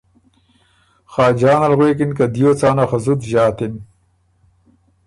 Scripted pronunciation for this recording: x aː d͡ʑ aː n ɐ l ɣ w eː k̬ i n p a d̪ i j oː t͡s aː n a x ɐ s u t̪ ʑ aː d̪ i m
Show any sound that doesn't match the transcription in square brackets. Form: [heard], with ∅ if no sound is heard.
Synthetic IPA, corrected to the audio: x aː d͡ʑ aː n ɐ l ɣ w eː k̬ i n [k] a d̪ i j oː t͡s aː n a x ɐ [z] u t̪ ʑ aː [t̪] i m